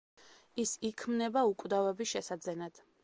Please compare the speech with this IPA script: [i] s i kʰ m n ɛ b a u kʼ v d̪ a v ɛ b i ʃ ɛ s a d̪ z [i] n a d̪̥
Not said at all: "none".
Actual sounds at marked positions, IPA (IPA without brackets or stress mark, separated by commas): i, ɛ